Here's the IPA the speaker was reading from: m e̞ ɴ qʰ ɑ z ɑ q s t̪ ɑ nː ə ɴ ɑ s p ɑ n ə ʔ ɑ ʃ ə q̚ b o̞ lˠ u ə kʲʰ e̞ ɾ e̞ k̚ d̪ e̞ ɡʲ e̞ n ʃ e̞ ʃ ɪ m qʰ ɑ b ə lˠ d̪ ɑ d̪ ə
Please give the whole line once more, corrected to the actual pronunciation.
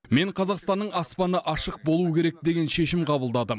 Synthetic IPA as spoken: m e̞ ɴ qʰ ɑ z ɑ q s t̪ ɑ nː ə ɴ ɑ s p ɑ n ə ʔ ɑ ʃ ə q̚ b o̞ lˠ u ə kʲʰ e̞ ɾ e̞ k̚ d̪ e̞ ɡʲ e̞ n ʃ e̞ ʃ ɪ m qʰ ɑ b ə lˠ d̪ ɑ d̪ ə